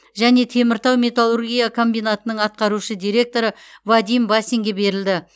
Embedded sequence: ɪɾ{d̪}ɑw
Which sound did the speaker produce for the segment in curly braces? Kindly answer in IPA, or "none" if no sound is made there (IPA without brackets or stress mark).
t̪